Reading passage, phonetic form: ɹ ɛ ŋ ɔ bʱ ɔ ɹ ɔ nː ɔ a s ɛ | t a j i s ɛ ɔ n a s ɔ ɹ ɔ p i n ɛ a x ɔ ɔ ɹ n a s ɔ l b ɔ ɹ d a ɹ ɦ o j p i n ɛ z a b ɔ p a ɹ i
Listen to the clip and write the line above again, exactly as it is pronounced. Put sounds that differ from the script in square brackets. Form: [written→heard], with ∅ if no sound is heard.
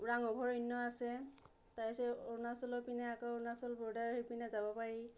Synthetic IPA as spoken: ɹ [ɛ→a] ŋ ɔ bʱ ɔ ɹ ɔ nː ɔ a s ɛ | t a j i s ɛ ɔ n a s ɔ [ɹ→l] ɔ p i n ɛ a [x→k] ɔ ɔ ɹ n a s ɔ l b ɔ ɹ d a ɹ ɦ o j p i n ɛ z a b ɔ p a ɹ i